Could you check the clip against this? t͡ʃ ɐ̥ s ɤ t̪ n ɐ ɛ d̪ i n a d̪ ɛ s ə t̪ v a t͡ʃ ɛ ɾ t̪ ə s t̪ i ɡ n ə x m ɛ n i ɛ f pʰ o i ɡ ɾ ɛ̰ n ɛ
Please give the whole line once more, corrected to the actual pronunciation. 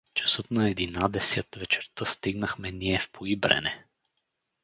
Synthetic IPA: t͡ʃ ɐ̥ s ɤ t̪ n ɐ ɛ d̪ i n a d̪ ɛ s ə t̪ v ɛ t͡ʃ ɛ ɾ t̪ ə s t̪ i ɡ n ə x m ɛ n i ɛ f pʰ o i b ɾ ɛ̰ n ɛ